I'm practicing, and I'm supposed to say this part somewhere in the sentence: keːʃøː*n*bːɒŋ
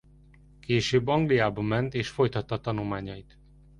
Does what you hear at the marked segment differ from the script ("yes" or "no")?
yes